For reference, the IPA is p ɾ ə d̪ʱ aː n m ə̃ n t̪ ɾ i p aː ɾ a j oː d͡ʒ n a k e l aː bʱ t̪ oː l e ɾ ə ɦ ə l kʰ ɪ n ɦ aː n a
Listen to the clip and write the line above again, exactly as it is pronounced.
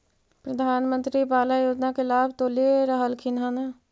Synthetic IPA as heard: p ɾ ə d̪ʱ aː n m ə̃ n t̪ ɾ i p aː l a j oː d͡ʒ n a k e l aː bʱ t̪ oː l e ɾ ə ɦ ə l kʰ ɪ n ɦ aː n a